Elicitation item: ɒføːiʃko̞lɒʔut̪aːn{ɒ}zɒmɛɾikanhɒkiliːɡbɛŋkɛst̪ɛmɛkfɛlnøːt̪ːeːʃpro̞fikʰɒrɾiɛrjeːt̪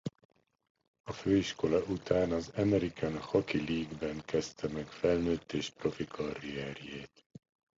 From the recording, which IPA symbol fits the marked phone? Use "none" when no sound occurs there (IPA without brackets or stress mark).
ɒ